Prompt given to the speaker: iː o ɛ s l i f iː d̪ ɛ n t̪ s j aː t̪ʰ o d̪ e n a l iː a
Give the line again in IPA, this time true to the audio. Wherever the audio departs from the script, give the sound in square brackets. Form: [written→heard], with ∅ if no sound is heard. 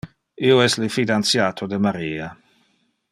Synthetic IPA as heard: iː o ɛ s l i f [iː→i] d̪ [ɛ→a] n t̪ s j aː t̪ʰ o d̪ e [n→m] a [l→ɾ] iː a